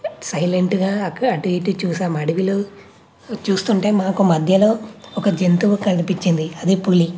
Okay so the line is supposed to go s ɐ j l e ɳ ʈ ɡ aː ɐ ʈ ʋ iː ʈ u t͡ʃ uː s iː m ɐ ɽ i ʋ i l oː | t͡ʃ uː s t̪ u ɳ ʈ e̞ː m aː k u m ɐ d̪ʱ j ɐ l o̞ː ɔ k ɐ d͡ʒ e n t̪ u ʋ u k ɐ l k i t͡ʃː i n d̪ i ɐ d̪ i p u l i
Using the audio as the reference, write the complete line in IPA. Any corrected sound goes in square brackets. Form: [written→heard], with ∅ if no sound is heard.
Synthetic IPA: s ɐ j l e ɳ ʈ ɡ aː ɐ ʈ ʋ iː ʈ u t͡ʃ uː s [iː→aː] m ɐ ɽ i ʋ i l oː | t͡ʃ uː s t̪ u ɳ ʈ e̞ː m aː k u m ɐ d̪ʱ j ɐ l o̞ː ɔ k ɐ d͡ʒ e n t̪ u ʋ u k ɐ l [k→p] i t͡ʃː i n d̪ i ɐ d̪ i p u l i